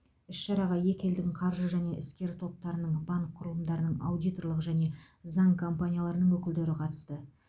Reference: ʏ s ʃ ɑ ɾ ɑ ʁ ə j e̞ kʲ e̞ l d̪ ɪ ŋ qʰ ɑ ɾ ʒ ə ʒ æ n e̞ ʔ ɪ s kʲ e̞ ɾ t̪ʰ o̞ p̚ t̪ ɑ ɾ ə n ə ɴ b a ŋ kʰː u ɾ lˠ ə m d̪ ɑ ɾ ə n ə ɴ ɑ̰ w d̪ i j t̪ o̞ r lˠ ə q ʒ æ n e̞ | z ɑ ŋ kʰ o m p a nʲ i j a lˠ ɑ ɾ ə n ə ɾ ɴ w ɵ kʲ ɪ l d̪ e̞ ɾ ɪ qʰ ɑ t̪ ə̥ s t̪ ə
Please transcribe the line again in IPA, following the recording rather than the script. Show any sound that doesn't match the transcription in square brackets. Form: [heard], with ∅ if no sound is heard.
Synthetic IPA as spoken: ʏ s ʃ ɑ ɾ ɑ ʁ [ɑ] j e̞ kʲ e̞ l d̪ ɪ ŋ qʰ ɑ ɾ ʒ ə ʒ æ n e̞ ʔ ɪ s kʲ e̞ ɾ t̪ʰ o̞ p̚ t̪ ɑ ɾ ə n ə ɴ b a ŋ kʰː [ʊ] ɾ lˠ ə m d̪ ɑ ɾ ə n ə ɴ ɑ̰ w d̪ i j t̪ o̞ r lˠ ə q ʒ æ n e̞ | z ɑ ŋ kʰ o m p a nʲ i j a lˠ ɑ ɾ ə n ə [∅] ɴ w ɵ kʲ ɪ l d̪ e̞ ɾ ɪ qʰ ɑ t̪ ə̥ s t̪ ə